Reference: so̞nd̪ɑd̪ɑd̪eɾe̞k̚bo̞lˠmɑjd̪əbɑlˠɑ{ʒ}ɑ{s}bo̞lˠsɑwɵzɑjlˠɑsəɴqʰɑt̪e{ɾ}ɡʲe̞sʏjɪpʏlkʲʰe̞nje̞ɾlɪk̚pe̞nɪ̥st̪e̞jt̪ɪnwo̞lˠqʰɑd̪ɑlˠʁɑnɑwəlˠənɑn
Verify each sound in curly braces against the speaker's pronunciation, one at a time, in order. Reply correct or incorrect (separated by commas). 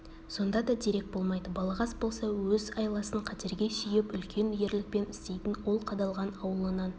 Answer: incorrect, correct, correct